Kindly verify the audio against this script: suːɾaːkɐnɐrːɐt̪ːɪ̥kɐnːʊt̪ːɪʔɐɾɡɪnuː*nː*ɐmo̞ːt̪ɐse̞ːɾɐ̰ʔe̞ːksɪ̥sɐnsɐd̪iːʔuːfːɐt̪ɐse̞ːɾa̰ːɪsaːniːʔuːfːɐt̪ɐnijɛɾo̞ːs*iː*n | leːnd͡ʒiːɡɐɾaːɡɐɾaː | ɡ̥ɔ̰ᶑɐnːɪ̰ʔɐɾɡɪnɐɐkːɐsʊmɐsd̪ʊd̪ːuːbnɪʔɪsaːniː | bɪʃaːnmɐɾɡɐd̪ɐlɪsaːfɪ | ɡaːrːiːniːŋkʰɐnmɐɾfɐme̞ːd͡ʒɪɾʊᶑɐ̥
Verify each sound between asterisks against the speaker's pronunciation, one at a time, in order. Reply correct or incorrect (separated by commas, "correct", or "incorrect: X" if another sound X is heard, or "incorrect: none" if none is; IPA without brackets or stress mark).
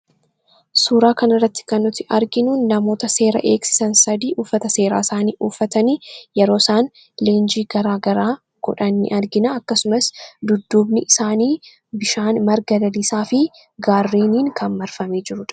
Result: correct, incorrect: aː